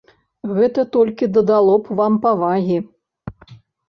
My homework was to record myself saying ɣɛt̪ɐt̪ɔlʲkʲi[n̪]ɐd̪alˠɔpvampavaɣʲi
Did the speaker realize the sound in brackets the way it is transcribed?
no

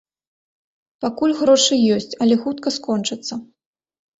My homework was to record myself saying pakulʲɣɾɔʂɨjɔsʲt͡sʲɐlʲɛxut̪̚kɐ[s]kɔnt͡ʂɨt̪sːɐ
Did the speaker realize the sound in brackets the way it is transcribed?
yes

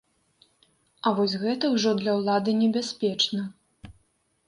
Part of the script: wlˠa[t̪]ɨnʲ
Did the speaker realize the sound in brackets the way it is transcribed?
no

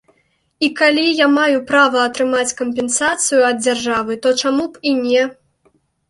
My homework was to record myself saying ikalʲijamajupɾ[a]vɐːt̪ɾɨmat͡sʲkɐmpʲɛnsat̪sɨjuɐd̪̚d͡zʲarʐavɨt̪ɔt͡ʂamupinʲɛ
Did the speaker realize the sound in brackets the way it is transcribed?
yes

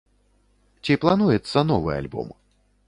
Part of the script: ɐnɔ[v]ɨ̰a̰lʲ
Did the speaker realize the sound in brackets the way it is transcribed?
yes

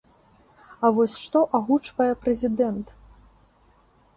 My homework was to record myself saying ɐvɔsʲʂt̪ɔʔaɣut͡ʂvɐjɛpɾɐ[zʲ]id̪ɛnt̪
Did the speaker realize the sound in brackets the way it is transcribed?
yes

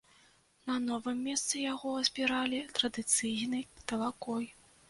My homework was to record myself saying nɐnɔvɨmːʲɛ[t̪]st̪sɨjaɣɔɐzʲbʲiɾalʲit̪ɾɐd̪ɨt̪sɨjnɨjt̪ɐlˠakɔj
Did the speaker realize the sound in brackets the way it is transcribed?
no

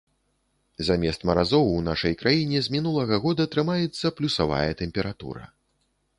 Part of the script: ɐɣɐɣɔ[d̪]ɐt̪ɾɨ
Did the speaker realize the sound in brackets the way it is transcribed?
yes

